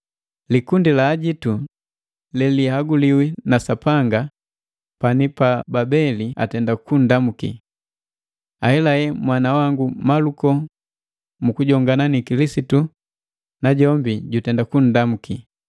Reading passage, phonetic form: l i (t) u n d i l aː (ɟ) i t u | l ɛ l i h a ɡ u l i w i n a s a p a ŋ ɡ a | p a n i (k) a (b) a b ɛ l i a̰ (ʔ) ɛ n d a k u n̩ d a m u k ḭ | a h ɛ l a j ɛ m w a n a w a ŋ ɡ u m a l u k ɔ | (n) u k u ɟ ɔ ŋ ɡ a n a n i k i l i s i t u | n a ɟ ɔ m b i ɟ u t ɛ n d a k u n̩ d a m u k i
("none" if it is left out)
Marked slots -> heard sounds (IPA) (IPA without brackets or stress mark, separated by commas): k, ɟ, p, b, t, m